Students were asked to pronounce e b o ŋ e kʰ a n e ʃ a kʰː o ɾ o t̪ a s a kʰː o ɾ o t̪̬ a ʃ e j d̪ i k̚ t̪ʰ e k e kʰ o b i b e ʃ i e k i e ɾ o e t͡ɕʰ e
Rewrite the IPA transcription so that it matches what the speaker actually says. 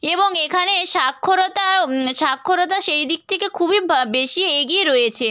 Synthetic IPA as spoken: e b o ŋ e kʰ a n e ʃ a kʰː o ɾ o t̪ a ʃ a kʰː o ɾ o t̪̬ a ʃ e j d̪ i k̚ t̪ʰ e k e kʰ u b i b e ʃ i e ɡ i e ɾ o e t͡ɕʰ e

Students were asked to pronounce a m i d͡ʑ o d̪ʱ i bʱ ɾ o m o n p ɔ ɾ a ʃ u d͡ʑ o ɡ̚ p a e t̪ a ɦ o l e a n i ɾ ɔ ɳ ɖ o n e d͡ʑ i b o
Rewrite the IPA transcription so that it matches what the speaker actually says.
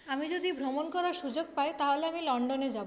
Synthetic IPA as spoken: a m i d͡ʑ o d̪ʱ i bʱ ɾ o m o n k ɔ ɾ a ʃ u d͡ʑ o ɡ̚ p a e t̪ a ɦ o l e a m i l ɔ ɳ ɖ o n e d͡ʑ a b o

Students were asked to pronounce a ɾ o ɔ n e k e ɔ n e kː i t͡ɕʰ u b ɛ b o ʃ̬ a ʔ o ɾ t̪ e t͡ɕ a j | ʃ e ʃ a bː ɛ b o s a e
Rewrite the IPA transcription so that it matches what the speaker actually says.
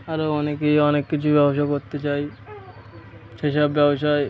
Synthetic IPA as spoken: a ɾ o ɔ n e k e ɔ n e kː i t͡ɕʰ u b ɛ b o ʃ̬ a k o ɾ t̪ e t͡ɕ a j | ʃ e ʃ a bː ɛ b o ʃ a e

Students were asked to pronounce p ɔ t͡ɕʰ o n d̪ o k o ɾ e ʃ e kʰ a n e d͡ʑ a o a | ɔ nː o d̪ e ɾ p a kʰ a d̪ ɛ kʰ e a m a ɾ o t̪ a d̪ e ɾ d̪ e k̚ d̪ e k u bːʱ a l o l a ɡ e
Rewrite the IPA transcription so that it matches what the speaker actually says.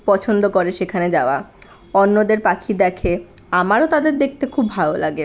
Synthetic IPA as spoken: p ɔ t͡ɕʰ o n d̪ o k o ɾ e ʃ e kʰ a n e d͡ʑ a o a | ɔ nː o d̪ e ɾ p a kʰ i d̪ ɛ kʰ e a m a ɾ o t̪ a d̪ e ɾ d̪ e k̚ t̪ e kʰ u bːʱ a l o l a ɡ e

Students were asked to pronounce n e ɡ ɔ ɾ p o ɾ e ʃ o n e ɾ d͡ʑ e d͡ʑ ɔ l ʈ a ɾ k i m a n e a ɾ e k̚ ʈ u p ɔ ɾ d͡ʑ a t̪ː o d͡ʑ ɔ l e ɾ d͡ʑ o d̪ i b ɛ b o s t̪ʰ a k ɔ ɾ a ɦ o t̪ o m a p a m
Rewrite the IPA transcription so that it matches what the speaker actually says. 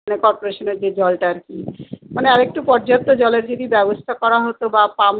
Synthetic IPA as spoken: n e k ɔ ɾ p o ɾ e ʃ o n e ɾ d͡ʑ e d͡ʑ ɔ l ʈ a ɾ k i m a n e a ɾ e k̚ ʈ u p ɔ ɾ d͡ʑ a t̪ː o d͡ʑ ɔ l e ɾ d͡ʑ o d̪ i b ɛ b o s t̪ʰ a k ɔ ɾ a ɦ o t̪ o b a p a m

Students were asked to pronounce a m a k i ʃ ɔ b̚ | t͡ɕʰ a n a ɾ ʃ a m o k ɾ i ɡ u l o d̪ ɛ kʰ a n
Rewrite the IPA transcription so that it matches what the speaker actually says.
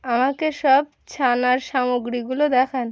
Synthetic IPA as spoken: a m a k e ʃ ɔ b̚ | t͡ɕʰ a n a ɾ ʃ a m o ɡ ɾ i ɡ u l o d̪ ɛ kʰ a n

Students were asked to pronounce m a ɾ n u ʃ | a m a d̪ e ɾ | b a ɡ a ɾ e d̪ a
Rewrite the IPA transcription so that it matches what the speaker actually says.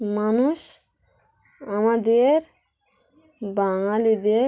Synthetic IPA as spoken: m a n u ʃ | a m a d̪ e ɾ | b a ŋ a l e d̪ e

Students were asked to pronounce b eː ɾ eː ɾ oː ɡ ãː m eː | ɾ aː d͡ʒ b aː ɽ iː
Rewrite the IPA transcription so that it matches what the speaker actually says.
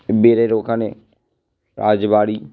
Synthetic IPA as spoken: b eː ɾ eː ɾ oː k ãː n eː | ɾ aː d͡ʒ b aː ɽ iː

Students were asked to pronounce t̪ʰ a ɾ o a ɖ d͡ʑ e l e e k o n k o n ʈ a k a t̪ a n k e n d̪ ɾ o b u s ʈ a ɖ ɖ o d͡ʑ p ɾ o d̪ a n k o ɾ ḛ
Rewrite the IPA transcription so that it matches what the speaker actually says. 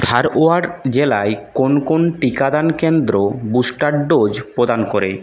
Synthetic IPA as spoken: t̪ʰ a ɾ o a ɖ d͡ʑ e l a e k o n k o n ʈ i k a d̪ a n k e n d̪ ɾ o b u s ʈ a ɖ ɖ o d͡ʑ p ɾ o d̪ a n k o ɾ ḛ

